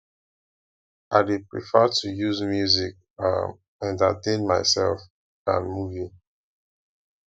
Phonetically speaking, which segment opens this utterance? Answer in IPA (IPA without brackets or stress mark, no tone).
a